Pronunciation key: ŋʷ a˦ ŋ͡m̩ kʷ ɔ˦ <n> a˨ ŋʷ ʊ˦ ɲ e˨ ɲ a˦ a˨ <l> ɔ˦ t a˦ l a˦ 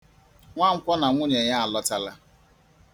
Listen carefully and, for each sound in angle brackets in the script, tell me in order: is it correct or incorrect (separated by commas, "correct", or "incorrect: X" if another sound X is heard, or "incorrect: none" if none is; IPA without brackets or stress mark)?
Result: correct, correct